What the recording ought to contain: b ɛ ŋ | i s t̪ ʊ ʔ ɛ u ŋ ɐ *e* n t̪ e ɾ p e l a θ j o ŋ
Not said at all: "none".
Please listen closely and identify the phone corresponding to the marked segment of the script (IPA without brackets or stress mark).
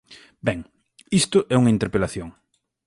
i